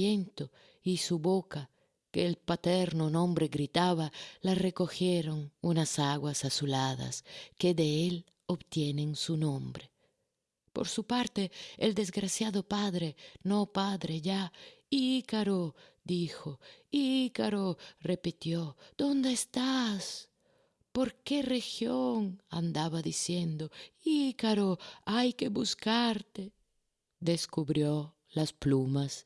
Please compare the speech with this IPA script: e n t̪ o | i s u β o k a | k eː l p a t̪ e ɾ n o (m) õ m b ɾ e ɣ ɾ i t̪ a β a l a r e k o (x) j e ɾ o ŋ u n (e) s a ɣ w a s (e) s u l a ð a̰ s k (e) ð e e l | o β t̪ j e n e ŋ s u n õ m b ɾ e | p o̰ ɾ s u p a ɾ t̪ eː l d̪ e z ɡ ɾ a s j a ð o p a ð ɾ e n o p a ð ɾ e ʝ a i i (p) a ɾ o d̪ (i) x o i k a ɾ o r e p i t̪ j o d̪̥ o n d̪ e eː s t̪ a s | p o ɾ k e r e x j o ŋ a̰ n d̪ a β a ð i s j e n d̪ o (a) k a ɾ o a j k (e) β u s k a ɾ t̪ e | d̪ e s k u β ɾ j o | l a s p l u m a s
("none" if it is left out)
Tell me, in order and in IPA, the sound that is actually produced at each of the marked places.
n, x, a, a, e, k, i, i, e

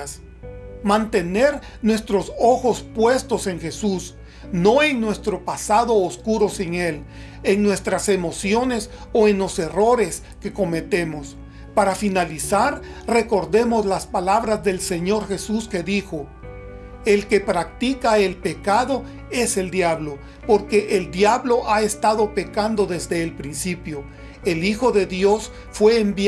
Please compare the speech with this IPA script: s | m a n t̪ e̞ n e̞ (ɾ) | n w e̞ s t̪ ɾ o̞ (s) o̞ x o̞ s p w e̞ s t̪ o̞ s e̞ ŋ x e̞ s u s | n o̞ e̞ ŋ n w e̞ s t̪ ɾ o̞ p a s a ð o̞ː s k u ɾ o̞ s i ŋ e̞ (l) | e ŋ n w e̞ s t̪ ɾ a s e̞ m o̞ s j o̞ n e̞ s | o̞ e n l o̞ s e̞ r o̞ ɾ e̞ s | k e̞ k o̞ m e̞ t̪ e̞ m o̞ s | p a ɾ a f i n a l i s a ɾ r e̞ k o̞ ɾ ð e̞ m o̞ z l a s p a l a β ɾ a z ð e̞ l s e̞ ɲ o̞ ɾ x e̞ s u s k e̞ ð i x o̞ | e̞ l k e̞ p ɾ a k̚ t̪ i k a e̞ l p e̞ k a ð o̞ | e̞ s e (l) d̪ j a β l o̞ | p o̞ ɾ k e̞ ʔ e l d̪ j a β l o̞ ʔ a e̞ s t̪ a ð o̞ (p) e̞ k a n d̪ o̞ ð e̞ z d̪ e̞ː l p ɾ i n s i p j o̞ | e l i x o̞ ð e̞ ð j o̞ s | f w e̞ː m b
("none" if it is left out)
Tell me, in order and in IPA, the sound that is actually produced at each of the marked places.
ɾ, s, l, l, p

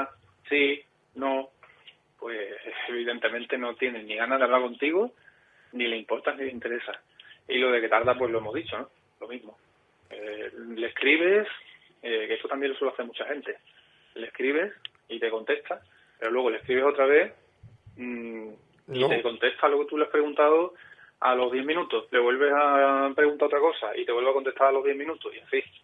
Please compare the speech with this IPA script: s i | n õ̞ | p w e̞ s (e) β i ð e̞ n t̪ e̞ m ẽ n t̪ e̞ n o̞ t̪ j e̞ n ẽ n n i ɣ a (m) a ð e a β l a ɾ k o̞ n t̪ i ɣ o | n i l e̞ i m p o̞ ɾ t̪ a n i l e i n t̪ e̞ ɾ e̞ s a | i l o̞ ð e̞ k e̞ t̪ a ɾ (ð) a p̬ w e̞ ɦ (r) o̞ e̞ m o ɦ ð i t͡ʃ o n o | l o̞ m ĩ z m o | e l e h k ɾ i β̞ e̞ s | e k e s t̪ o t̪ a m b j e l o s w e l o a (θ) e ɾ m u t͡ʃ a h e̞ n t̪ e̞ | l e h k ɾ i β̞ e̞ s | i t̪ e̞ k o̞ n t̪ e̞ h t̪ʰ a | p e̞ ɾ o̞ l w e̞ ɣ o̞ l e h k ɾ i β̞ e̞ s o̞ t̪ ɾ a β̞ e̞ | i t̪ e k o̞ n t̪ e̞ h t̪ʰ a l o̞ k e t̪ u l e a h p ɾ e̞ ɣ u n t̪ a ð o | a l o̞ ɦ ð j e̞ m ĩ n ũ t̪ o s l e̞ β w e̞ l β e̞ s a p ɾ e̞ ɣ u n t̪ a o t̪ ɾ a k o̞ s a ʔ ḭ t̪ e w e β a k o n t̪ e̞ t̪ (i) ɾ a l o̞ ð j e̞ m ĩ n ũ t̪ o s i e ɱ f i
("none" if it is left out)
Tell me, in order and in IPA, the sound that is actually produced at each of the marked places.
e, n, ð, l, θ, a

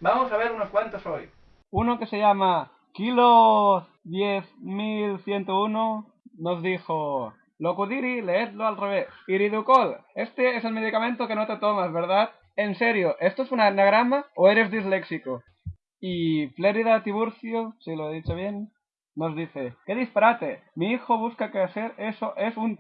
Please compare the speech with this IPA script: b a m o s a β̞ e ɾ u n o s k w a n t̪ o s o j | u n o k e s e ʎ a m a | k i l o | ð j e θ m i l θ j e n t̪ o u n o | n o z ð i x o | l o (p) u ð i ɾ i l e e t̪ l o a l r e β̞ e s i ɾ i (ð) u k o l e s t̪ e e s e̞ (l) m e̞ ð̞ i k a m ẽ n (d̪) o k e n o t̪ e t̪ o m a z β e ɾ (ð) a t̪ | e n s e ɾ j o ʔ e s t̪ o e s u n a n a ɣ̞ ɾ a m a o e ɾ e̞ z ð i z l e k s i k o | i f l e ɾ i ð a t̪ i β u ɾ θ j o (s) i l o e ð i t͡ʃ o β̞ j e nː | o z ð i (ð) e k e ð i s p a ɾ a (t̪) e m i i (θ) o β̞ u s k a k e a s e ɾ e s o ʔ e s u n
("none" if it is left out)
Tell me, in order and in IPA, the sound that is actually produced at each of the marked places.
k, ð, l, t̪, ð, s, θ, t̪, x

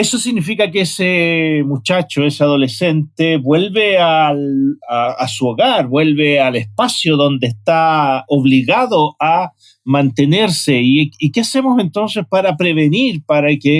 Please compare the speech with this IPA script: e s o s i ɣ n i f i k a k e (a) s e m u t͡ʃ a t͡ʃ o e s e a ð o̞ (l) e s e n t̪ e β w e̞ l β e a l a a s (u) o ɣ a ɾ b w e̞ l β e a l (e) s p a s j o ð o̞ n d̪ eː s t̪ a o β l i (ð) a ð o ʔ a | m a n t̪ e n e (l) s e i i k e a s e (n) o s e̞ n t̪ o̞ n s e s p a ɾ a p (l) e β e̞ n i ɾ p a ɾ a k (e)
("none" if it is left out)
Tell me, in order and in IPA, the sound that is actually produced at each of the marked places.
e, l, u, e, ɣ, ɾ, m, ɾ, e

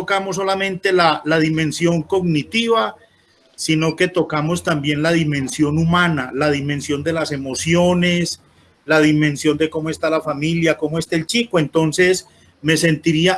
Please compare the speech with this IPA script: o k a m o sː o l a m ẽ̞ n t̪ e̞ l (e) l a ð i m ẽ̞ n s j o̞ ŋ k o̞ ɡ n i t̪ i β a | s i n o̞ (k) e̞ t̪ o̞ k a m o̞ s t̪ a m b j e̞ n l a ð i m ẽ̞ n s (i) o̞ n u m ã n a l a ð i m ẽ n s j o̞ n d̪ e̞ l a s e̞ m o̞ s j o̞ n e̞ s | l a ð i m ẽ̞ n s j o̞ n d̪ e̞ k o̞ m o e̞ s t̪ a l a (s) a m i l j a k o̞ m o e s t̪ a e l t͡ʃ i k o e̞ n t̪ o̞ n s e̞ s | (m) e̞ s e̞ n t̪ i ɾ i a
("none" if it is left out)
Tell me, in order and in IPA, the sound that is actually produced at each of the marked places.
a, k, j, f, m

